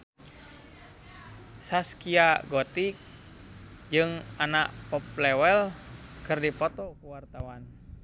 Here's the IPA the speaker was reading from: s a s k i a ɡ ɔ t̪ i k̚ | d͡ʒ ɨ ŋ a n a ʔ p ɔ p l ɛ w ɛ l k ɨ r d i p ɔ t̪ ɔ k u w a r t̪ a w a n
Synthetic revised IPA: s a s k i a ɡ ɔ t̪ i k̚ | d͡ʒ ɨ ŋ a n a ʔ p ɔ p l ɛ w ɛ l k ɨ r d i p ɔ t̪ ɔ k u w a r t̪ a w a n